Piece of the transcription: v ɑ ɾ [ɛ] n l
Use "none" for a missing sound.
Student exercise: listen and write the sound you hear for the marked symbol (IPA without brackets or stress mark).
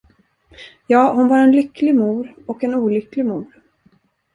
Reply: ɛ